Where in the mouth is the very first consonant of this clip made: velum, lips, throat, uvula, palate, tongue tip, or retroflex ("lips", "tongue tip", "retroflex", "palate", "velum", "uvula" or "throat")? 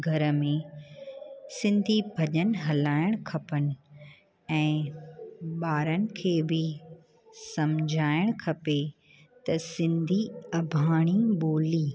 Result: velum